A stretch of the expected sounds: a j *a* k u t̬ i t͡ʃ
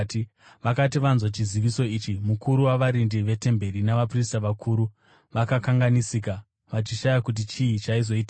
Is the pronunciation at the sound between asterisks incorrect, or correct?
correct